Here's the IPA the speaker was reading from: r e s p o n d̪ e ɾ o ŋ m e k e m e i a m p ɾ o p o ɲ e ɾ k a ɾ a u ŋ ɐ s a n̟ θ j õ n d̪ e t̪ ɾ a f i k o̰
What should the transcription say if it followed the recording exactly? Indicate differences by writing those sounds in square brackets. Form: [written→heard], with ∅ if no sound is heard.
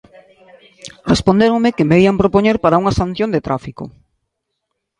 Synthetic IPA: r e s p o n d̪ e ɾ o ŋ m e k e m e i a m p ɾ o p o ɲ e ɾ [k→p] a ɾ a u ŋ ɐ s a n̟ θ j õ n d̪ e t̪ ɾ a f i k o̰

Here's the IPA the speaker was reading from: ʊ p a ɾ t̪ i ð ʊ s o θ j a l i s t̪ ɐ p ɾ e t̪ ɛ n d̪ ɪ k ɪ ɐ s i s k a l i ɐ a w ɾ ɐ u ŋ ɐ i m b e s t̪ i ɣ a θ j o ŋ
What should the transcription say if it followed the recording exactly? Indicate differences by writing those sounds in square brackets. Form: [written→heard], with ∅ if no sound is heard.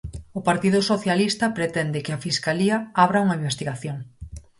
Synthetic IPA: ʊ p a ɾ t̪ i ð ʊ s o θ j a l i s t̪ ɐ p ɾ e t̪ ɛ n d̪ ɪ k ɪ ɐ [s→f] i s k a l i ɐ a [w→β] ɾ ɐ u ŋ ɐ i m b e s t̪ i ɣ a θ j o ŋ

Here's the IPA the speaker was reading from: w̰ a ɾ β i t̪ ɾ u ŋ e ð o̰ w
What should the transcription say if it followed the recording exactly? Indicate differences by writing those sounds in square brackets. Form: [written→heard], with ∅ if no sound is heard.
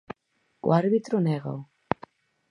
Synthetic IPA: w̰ a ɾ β i t̪ ɾ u [ŋ→n] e [ð→ɣ] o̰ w

